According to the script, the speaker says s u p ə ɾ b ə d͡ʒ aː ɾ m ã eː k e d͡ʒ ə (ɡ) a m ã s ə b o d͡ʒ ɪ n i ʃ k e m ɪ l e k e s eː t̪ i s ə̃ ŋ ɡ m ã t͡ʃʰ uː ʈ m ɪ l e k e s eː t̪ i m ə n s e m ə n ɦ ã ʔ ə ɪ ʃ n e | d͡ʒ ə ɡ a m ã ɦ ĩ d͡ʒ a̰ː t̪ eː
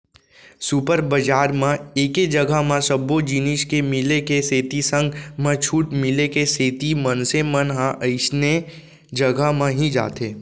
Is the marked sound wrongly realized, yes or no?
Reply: no